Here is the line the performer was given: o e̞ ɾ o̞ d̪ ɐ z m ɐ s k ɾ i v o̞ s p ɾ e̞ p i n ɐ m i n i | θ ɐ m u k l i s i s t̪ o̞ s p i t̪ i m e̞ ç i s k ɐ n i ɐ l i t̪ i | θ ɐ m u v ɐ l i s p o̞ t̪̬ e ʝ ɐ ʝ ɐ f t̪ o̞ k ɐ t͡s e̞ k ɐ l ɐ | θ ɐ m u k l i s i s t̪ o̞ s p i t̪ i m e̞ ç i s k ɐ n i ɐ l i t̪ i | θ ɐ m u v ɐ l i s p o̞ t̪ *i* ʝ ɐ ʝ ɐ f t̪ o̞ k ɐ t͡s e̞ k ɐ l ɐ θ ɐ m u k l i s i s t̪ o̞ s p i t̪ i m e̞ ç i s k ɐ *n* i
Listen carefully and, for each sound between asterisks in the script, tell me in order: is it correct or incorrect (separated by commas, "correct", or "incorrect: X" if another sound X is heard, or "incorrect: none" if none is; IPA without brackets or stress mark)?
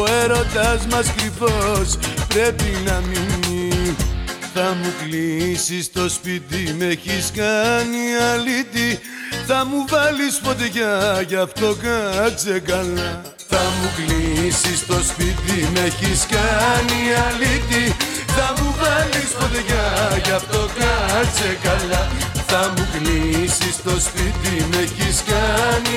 incorrect: e, correct